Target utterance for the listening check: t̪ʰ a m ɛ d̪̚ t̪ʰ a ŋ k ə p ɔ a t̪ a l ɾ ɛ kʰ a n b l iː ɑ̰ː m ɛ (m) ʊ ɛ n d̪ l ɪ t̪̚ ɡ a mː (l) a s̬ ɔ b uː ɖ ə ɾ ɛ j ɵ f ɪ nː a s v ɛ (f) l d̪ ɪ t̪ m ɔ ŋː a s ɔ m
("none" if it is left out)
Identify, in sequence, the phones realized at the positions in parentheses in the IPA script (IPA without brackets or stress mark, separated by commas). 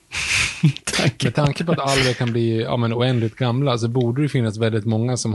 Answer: n, l, none